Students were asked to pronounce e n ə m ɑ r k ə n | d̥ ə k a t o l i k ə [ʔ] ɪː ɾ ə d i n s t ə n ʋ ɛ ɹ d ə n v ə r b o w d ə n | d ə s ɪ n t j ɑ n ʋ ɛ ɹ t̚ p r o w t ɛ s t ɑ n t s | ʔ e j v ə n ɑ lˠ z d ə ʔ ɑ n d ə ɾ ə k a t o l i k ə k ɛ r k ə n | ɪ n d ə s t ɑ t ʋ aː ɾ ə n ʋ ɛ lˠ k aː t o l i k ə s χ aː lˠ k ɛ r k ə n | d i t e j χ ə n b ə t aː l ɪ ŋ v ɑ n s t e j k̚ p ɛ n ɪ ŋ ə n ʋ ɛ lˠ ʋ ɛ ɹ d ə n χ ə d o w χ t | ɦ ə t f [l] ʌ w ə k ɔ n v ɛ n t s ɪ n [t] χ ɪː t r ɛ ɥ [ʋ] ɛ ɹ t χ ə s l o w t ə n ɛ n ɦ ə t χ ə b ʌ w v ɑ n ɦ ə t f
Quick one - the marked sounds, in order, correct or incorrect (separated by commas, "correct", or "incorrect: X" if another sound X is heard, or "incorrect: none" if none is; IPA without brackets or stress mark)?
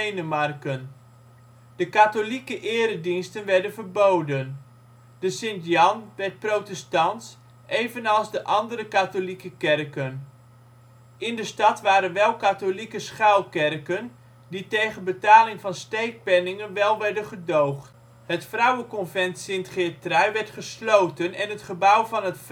correct, incorrect: r, correct, correct